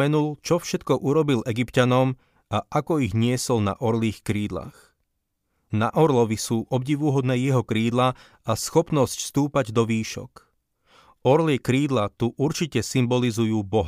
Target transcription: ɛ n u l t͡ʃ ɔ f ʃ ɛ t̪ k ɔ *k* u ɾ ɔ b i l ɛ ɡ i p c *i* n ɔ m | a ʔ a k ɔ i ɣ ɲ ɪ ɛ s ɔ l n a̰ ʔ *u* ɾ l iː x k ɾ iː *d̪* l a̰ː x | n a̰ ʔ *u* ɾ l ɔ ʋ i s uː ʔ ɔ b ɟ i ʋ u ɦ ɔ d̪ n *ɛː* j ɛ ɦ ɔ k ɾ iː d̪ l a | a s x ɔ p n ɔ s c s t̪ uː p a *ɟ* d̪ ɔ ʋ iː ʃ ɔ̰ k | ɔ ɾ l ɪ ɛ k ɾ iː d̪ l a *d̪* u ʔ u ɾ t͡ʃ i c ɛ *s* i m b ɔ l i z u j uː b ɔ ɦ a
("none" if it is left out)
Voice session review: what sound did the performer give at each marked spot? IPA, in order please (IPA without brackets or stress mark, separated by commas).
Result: ʔ, a, ɔ, d̪, ɔ, ɛː, ɟ, t̪, s